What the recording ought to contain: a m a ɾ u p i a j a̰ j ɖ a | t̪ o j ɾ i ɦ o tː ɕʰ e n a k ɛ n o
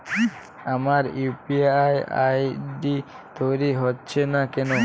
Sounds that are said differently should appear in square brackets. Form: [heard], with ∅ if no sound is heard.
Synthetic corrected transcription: a m a ɾ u p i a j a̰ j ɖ [i] | t̪ o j ɾ i ɦ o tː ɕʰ e n a k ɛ n o